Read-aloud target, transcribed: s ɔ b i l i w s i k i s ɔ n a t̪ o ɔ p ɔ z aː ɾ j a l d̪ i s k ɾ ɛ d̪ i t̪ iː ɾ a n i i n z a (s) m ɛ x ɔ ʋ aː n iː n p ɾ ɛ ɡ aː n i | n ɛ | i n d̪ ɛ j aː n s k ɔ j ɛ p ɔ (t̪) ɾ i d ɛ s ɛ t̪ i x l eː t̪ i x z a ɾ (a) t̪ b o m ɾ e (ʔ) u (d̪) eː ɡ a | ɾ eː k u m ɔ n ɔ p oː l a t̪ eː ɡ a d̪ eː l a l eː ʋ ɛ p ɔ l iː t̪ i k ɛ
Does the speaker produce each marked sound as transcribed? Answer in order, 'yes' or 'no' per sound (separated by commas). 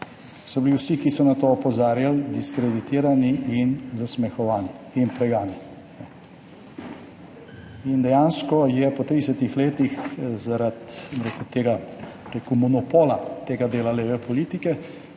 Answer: yes, yes, yes, no, no